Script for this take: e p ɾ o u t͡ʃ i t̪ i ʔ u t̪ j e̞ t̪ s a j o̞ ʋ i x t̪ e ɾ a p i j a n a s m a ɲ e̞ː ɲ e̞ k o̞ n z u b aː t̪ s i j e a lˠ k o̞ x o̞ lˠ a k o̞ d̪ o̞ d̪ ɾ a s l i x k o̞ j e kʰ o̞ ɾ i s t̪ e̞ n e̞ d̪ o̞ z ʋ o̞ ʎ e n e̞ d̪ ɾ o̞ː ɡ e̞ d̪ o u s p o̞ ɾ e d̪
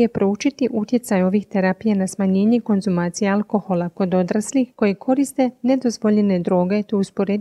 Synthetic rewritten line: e p ɾ o u t͡ʃ i t̪ i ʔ u t̪ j e̞ t̪ s a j o̞ ʋ i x t̪ e ɾ a p i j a n a s m a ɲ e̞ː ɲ e̞ k o̞ n z u m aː t̪ s i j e a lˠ k o̞ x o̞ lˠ a k o̞ d̪ o̞ d̪ ɾ a s l i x k o̞ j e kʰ o̞ ɾ i s t̪ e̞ n e̞ d̪ o̞ z ʋ o̞ ʎ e n e̞ d̪ ɾ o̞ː ɡ e̞ t̪ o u s p o̞ ɾ e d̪